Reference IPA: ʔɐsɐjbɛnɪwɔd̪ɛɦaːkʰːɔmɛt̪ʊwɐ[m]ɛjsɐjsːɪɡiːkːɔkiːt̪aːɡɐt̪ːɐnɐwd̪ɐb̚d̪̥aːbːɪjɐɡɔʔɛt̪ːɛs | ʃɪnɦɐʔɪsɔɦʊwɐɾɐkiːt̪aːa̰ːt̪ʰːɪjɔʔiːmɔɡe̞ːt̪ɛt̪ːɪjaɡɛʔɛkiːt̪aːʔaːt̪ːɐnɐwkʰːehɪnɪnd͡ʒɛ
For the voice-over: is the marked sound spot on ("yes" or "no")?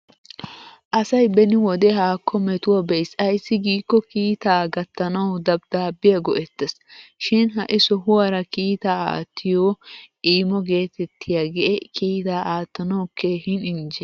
no